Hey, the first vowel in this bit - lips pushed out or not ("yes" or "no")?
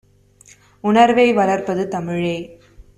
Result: yes